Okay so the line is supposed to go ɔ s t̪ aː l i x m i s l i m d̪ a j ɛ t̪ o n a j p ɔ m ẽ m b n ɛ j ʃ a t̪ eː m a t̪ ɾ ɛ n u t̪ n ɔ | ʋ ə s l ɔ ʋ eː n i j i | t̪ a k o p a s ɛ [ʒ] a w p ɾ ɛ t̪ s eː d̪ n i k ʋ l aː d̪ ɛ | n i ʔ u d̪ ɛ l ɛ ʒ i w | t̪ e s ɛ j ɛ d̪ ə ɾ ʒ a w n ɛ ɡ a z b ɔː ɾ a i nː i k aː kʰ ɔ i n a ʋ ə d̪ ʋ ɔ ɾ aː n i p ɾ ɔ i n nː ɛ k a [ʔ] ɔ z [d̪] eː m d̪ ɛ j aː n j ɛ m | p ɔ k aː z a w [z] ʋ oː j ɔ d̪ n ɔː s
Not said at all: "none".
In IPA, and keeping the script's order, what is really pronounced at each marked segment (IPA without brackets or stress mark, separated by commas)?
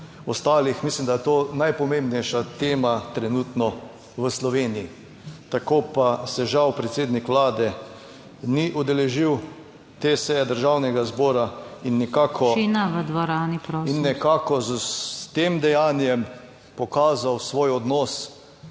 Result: ʒ, k, t̪, s